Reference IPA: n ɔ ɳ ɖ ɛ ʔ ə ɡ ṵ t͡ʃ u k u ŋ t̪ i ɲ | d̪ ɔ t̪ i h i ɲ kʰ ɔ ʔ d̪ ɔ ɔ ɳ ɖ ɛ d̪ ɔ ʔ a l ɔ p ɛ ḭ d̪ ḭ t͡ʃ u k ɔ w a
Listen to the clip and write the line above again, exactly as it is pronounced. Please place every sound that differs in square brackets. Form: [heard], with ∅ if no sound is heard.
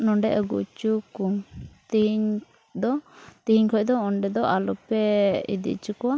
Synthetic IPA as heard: n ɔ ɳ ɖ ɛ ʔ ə ɡ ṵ t͡ʃ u k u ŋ t̪ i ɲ | d̪ ɔ t̪ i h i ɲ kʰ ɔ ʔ d̪ ɔ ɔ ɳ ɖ ɛ d̪ ɔ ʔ a l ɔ p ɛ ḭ d̪ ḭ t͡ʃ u k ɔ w a